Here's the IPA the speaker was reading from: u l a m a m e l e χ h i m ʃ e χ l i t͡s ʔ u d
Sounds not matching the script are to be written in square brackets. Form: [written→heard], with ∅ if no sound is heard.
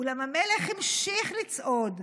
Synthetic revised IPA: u l a m a m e l e χ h i m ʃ [e→i] χ l i t͡s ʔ [u→o] d